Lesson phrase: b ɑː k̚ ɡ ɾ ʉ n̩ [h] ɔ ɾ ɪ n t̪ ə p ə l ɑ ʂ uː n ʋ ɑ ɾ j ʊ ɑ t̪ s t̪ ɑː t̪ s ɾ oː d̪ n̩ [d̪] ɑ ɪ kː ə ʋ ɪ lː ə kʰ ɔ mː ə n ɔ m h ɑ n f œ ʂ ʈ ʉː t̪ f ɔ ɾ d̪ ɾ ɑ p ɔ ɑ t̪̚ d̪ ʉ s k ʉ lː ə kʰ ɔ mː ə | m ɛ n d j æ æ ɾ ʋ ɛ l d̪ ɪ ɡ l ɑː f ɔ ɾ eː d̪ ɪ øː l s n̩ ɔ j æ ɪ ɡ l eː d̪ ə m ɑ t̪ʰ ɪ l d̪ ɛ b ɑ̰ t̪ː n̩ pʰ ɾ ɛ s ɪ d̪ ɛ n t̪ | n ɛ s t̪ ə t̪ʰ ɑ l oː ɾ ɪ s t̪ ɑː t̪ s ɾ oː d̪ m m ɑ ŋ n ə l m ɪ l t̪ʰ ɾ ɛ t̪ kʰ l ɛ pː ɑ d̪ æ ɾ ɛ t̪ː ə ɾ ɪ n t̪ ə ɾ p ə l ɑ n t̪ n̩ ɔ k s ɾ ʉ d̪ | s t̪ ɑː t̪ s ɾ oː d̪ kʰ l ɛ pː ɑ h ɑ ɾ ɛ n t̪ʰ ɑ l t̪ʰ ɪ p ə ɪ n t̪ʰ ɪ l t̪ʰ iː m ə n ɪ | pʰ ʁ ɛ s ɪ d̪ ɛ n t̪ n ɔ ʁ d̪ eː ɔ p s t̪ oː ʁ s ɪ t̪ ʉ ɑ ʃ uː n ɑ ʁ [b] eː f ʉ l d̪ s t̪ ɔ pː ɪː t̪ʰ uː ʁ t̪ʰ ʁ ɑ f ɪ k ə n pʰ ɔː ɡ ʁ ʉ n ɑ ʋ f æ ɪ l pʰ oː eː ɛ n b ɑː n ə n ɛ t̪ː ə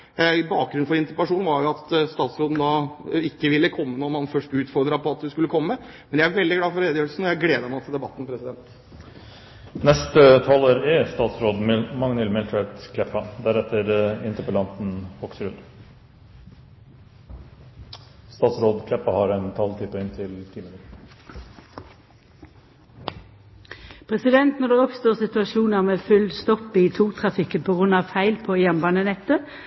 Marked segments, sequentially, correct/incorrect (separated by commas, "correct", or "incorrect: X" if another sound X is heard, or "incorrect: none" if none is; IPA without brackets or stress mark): incorrect: f, correct, incorrect: m